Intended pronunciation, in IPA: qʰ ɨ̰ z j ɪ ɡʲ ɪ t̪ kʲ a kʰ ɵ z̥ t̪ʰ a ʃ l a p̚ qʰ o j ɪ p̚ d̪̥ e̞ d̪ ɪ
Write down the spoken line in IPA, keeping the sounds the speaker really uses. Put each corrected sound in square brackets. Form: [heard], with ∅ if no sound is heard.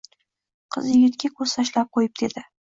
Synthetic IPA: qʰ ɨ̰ z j ɪ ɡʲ ɪ t̪ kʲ a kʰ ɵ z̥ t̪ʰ a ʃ l a p̚ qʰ o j ɪ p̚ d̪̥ e̞ d̪ ɪ